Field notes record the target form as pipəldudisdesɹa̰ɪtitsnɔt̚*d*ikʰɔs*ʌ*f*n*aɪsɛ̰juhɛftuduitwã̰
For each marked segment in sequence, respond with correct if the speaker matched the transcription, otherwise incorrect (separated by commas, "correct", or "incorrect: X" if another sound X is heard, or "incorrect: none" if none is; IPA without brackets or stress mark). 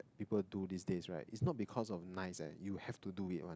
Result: incorrect: b, incorrect: ɔ, correct